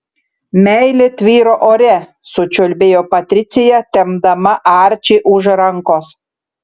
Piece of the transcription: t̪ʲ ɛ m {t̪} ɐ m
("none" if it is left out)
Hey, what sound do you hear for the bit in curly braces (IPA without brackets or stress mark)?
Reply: d̪